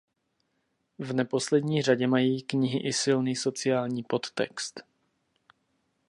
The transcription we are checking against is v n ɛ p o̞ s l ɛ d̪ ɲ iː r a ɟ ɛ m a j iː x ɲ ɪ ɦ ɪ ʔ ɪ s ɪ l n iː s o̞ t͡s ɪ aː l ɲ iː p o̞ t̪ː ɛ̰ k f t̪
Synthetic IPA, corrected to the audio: v n ɛ p o̞ s l ɛ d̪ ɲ iː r a ɟ ɛ m a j iː k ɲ ɪ ɦ ɪ ʔ ɪ s ɪ l n iː s o̞ t͡s ɪ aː l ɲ iː p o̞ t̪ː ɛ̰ k s t̪